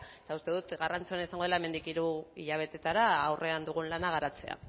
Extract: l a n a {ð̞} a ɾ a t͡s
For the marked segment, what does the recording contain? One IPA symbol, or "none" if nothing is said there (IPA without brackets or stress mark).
ɣ̞